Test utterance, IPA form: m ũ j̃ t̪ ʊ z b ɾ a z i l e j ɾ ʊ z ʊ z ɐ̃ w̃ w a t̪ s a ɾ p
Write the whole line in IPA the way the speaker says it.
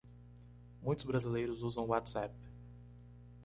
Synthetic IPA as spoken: m ũ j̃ t̪ ʊ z b ɾ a z i l e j ɾ ʊ z u z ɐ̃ w̃ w a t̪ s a p